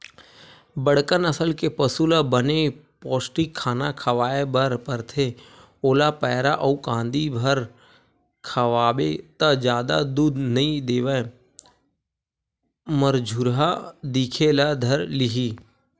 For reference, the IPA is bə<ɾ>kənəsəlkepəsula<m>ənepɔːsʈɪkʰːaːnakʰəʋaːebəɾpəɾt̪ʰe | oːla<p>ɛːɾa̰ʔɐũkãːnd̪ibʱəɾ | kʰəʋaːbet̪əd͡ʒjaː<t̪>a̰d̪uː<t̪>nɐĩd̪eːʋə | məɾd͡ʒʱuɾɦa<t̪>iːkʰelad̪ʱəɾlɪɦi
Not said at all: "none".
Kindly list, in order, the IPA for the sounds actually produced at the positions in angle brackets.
ɽ, b, p, d̪, d̪, d̪

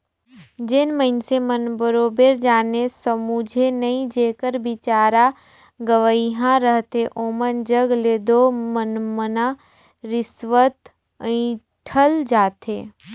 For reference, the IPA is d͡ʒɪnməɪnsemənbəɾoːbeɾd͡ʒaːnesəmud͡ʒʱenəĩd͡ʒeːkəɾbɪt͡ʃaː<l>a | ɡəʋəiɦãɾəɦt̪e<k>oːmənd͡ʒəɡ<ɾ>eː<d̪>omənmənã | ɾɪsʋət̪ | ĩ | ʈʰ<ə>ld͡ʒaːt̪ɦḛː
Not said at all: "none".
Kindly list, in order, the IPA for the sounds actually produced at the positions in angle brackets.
ɾ, ʔ, l, d̪, ə

